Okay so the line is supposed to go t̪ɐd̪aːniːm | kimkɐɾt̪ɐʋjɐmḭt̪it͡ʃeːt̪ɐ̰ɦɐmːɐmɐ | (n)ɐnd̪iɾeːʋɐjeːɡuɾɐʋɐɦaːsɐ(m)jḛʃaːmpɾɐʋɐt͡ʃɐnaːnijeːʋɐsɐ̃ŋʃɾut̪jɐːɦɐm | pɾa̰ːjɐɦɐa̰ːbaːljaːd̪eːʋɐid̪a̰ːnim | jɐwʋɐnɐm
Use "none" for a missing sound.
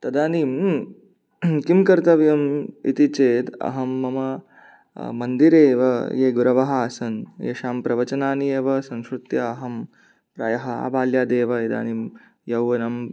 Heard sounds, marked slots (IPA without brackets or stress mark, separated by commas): m, n